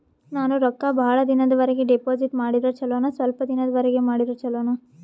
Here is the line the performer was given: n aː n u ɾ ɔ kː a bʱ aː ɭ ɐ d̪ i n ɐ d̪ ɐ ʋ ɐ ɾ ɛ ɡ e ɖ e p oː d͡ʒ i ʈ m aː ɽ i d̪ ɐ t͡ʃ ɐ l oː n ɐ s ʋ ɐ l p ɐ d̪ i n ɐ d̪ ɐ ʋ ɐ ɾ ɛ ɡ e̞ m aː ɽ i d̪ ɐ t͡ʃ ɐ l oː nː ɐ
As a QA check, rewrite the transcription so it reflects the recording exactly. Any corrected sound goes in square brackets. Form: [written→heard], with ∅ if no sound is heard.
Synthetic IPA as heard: n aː n u ɾ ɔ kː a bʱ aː ɭ ɐ d̪ i n ɐ d̪ ɐ ʋ ɐ ɾ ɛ ɡ e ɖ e p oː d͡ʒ i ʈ m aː ɽ i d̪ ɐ t͡ʃ ɐ l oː n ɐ s ʋ ɐ l p ɐ d̪ i n ɐ d̪ ɐ ʋ ɐ ɾ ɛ ɡ e̞ m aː ɽ i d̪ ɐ t͡ʃ ɐ l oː [nː→n] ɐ